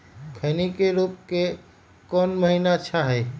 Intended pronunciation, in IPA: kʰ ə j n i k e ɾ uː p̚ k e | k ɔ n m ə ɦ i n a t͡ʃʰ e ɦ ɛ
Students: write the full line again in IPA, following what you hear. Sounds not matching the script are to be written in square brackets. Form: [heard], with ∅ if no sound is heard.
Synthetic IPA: kʰ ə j n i k e ɾ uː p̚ k e | k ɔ n m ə ɦ i n a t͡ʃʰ [a] ɦ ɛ